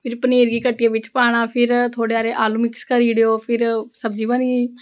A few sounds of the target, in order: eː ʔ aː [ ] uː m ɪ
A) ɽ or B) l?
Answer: B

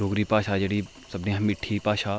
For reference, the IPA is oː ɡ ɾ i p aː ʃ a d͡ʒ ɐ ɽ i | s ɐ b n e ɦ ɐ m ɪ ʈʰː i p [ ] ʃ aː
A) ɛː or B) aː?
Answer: B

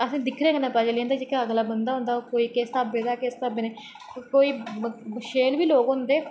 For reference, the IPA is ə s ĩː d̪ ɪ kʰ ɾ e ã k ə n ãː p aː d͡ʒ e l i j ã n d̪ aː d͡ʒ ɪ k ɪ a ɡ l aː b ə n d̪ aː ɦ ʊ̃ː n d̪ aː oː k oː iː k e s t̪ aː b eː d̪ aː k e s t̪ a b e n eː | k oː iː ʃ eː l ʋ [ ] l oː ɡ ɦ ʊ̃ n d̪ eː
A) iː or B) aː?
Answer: A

